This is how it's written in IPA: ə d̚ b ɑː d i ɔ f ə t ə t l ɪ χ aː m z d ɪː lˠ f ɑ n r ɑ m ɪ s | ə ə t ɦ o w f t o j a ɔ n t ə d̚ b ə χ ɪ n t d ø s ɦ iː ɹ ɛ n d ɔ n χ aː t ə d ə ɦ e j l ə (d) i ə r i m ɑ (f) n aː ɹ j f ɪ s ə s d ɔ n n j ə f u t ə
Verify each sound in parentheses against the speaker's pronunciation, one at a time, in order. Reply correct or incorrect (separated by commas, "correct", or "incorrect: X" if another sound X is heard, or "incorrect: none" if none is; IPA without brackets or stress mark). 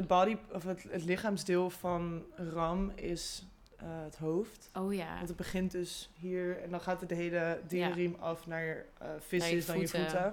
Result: correct, correct